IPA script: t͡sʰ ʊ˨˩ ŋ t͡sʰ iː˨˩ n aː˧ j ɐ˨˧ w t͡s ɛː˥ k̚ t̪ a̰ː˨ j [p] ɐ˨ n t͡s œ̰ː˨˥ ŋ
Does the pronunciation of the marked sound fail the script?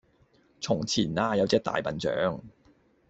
no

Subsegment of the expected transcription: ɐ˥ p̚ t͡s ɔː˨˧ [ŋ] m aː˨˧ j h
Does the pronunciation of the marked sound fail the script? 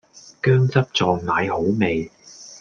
no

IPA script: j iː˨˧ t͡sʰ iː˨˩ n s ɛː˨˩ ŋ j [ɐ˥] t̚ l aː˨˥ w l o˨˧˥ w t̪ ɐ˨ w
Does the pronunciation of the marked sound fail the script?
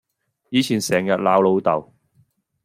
yes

